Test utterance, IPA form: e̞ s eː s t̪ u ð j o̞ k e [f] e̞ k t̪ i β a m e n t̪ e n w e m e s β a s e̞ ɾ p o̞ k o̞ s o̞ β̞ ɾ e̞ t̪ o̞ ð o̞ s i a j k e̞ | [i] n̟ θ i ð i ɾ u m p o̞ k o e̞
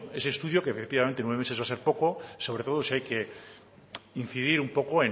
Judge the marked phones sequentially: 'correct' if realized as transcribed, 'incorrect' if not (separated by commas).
correct, correct